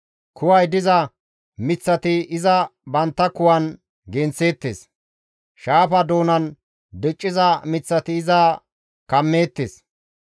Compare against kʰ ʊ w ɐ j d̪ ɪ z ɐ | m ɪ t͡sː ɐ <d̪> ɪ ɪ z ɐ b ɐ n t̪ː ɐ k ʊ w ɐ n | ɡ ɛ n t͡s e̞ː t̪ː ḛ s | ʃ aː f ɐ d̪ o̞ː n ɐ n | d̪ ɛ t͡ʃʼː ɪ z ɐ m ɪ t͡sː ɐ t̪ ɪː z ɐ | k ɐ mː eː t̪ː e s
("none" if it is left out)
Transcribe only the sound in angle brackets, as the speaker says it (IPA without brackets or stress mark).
t̪